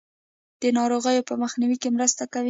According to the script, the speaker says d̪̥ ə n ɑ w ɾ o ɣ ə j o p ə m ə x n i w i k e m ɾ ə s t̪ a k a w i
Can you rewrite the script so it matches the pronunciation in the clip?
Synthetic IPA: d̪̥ ə n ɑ ɾ o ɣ ə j o p ə m ə x n i w i k e m ɾ ə s t̪ a k a w i